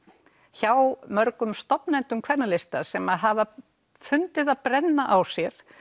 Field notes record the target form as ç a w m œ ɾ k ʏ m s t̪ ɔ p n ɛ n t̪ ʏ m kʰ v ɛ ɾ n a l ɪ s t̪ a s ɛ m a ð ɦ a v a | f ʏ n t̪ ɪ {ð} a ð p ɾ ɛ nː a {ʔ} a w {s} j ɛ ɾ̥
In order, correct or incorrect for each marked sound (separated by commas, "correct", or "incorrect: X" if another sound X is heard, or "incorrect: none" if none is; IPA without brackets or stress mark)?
correct, correct, correct